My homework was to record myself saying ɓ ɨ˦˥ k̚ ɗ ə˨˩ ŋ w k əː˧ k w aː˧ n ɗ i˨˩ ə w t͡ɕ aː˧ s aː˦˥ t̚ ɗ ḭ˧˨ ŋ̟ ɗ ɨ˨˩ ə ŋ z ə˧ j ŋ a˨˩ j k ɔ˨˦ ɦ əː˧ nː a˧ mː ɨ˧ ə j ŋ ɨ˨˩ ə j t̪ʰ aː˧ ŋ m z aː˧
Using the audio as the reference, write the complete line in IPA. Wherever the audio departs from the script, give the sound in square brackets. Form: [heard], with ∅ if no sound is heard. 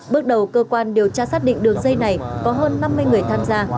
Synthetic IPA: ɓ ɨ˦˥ k̚ ɗ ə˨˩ [∅] w k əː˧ k w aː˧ n ɗ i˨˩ ə w t͡ɕ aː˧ s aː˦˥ t̚ ɗ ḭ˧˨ ŋ̟ ɗ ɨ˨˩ ə ŋ z ə˧ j [n] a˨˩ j k ɔ˨˦ ɦ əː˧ nː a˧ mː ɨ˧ ə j ŋ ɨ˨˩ ə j t̪ʰ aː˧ [∅] m z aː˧